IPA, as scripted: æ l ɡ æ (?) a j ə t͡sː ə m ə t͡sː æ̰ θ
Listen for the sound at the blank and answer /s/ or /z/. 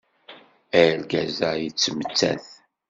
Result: z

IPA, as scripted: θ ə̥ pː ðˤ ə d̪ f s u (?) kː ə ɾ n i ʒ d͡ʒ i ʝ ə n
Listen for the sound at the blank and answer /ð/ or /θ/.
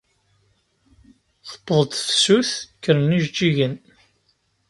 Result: θ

